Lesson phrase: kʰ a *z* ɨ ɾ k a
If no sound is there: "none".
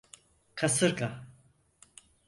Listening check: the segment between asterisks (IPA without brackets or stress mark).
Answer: s